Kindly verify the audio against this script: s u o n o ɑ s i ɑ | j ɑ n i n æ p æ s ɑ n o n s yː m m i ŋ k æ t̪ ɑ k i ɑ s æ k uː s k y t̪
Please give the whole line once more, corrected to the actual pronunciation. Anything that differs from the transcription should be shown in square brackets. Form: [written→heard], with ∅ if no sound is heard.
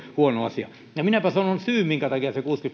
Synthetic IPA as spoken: [s→h] u o n o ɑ s i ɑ | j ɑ [n→m] i n æ p æ s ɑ n o n s yː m m i ŋ k æ t̪ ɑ k i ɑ s [æ→e] k uː s k y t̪